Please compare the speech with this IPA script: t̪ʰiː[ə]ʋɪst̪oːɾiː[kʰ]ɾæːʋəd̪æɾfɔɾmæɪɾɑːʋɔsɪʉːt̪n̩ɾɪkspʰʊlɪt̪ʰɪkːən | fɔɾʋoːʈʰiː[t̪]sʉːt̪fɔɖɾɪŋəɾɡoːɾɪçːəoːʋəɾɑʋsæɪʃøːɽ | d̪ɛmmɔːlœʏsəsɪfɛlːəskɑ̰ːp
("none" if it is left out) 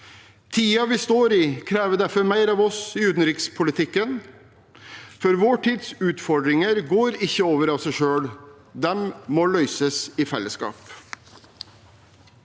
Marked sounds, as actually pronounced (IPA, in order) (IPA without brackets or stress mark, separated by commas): ɑ, kʰ, d̪